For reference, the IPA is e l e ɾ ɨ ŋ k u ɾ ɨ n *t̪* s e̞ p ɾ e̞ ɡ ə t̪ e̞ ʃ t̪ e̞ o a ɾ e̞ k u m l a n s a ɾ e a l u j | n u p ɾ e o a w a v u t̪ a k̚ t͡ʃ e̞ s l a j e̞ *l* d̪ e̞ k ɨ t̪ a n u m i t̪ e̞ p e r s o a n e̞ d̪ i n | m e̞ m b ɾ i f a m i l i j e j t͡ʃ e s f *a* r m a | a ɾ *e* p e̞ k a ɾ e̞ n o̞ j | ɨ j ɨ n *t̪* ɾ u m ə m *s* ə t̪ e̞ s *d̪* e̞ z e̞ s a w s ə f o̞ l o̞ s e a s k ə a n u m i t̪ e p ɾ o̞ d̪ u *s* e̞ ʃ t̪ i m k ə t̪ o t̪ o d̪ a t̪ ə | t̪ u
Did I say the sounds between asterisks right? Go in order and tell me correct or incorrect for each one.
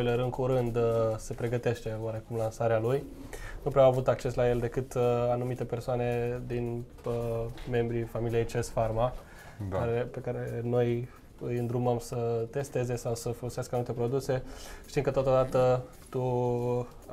incorrect: d̪, correct, correct, correct, incorrect: d̪, correct, incorrect: t̪, correct

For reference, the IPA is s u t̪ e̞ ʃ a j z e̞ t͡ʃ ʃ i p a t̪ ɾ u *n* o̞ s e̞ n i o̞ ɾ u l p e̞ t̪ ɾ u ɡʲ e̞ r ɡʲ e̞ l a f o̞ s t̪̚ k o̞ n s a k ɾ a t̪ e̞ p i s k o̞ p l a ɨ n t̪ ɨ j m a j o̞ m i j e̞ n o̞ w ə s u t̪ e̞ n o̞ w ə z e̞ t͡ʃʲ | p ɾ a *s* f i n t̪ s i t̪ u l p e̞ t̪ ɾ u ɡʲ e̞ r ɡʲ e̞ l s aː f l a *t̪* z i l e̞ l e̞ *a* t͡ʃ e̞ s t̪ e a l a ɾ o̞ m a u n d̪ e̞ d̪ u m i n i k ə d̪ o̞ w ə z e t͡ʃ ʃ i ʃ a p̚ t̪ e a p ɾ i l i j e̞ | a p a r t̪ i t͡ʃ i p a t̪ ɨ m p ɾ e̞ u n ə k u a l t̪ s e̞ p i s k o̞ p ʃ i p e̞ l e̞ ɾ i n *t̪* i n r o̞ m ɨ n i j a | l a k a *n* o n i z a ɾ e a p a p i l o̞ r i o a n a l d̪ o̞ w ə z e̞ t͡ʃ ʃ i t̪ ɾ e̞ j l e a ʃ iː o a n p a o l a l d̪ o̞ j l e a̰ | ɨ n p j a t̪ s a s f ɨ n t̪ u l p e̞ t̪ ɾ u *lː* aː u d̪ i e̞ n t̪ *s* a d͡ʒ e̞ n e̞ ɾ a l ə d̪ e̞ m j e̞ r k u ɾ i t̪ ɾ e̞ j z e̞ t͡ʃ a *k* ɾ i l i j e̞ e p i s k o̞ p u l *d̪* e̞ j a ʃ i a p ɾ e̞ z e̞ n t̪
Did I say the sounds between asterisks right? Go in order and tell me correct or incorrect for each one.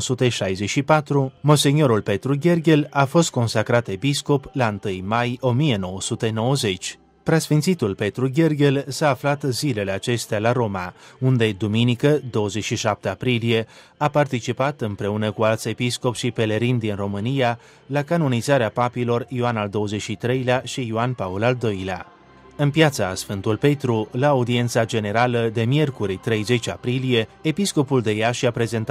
incorrect: m, correct, correct, correct, incorrect: d̪, correct, incorrect: l, correct, incorrect: p, correct

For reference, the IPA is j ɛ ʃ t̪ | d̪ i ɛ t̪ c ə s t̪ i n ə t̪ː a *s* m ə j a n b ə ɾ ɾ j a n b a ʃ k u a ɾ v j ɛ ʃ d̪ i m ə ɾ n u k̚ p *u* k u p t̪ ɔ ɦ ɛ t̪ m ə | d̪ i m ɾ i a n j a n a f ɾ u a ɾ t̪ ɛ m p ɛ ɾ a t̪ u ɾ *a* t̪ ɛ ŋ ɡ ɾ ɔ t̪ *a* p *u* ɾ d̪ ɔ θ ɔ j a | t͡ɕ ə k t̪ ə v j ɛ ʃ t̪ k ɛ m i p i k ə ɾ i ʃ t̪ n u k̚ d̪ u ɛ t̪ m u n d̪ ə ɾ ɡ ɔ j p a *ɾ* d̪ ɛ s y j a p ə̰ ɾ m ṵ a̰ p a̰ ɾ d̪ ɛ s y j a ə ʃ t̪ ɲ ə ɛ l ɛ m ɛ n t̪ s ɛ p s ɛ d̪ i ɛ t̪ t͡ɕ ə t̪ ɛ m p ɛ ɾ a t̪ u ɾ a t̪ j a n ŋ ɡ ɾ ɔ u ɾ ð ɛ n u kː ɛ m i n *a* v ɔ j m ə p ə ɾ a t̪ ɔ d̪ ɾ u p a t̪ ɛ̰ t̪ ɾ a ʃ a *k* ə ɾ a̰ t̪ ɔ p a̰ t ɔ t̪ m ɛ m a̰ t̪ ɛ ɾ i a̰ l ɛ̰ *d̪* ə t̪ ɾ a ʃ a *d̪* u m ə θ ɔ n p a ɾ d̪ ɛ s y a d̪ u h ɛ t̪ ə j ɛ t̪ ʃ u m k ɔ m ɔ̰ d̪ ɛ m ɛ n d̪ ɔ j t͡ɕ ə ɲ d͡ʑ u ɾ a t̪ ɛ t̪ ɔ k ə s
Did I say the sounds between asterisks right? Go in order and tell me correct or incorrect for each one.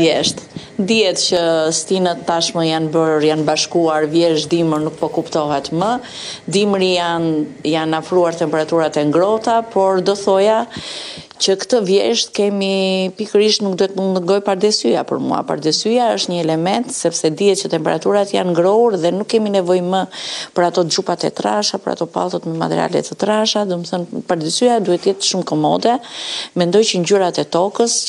incorrect: ʃ, incorrect: ɔ, correct, correct, incorrect: ɔ, correct, incorrect: ɛ, incorrect: p, incorrect: t̪, correct

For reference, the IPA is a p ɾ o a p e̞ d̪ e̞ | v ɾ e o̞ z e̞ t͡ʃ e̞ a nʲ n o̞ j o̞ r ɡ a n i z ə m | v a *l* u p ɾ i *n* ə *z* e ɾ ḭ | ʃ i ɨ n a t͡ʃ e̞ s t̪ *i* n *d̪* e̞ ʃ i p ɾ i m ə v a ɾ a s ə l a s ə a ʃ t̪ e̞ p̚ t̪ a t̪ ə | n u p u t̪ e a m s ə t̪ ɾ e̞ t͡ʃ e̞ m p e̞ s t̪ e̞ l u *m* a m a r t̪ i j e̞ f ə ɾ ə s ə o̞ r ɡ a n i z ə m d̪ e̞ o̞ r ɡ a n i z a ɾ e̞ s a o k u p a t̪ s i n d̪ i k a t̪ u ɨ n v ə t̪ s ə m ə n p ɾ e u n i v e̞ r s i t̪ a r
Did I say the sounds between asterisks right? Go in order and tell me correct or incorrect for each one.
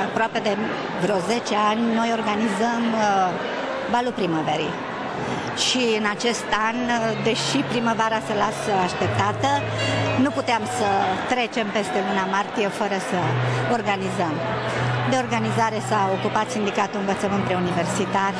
correct, incorrect: m, incorrect: v, incorrect: a, correct, incorrect: n

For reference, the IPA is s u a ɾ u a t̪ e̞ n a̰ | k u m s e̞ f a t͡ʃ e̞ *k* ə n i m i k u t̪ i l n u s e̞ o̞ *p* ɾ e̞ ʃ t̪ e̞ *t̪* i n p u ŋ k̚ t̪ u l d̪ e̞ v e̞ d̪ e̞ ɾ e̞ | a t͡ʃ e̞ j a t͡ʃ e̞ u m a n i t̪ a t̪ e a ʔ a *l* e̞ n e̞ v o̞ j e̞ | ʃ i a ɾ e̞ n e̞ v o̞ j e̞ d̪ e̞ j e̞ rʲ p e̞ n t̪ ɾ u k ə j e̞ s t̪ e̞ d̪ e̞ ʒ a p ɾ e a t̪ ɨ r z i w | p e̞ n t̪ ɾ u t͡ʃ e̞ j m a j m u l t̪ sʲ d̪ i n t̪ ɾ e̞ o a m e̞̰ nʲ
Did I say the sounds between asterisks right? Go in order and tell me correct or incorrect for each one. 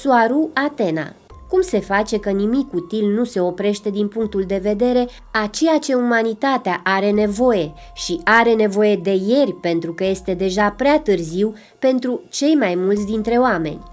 correct, correct, incorrect: d̪, incorrect: ɾ

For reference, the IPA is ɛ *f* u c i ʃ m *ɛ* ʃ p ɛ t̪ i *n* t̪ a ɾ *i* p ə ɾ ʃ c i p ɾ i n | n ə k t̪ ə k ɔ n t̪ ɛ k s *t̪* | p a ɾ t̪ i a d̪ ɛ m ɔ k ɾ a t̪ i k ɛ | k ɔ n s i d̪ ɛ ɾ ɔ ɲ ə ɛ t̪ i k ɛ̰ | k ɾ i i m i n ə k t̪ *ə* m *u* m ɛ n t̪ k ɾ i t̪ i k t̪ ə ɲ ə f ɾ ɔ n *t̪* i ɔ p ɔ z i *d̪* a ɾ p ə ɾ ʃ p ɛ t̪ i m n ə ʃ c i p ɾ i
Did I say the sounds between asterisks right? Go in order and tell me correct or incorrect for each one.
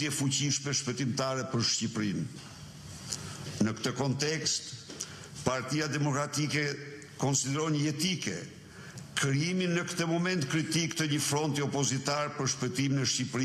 correct, correct, incorrect: m, incorrect: ɛ, correct, correct, incorrect: ɔ, correct, incorrect: t̪

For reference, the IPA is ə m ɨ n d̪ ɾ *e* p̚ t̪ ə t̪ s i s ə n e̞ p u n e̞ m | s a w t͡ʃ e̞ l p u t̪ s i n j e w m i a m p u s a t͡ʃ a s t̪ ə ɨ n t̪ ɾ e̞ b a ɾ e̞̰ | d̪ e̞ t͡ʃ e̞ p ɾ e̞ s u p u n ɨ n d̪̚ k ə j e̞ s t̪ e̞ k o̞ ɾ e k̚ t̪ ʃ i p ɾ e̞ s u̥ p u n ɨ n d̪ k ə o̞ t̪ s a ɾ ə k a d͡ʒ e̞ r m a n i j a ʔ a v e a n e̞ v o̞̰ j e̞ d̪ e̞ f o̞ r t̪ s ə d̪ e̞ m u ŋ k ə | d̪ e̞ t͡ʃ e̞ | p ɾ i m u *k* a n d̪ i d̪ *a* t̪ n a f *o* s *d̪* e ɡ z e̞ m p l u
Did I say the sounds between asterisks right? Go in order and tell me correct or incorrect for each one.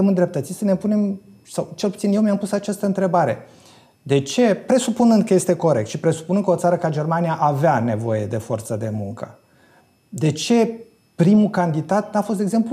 correct, correct, correct, correct, incorrect: t̪

